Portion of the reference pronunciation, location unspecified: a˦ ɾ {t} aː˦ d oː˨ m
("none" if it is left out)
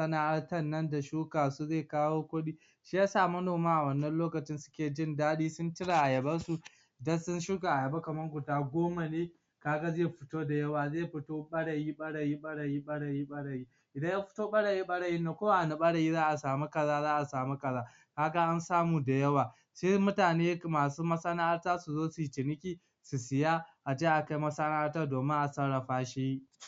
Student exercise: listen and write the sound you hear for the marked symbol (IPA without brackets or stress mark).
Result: t